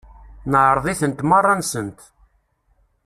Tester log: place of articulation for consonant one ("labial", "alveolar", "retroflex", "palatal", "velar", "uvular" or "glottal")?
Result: alveolar